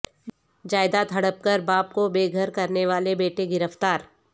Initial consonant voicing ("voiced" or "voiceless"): voiced